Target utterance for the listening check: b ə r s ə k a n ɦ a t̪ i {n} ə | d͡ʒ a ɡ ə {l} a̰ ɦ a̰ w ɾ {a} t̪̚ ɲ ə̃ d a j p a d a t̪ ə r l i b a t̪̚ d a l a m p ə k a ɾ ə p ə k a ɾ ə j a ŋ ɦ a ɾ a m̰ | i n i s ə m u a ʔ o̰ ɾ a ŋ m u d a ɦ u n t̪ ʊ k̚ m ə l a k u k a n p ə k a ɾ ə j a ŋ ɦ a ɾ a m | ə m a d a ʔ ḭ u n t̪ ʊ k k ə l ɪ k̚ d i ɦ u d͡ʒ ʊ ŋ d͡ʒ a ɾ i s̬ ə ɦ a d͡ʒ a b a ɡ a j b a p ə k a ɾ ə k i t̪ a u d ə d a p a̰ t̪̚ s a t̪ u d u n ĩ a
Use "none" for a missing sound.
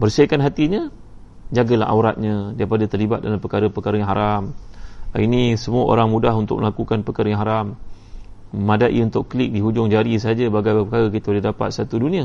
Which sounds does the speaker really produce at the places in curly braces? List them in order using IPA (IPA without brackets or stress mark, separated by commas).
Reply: ɲ, l, a